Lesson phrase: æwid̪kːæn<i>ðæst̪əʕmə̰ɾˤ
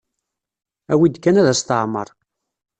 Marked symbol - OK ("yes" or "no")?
no